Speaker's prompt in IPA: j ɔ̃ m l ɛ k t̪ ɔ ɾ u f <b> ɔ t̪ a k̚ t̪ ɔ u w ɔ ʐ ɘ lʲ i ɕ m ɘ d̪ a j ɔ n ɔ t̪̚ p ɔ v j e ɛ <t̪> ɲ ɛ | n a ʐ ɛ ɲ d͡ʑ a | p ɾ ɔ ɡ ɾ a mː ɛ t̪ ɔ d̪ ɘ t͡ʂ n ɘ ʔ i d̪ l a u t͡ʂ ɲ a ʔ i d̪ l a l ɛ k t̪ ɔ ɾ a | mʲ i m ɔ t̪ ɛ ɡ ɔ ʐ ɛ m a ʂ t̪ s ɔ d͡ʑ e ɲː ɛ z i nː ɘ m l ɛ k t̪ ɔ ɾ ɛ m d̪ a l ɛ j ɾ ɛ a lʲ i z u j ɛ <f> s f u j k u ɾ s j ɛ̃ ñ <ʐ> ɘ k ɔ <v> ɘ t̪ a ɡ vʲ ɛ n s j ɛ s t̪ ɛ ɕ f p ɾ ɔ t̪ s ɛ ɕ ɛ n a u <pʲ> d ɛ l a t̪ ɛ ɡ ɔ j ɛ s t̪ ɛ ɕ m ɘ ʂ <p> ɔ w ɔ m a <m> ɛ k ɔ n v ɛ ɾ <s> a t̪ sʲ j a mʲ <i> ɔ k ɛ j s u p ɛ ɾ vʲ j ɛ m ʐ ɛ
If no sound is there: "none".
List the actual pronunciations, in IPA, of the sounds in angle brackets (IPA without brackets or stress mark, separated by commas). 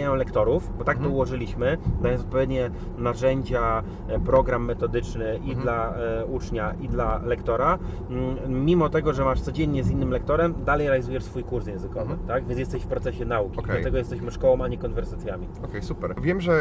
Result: b, d̪, ʂ, z, v, kʲ, k, ɲ, s, i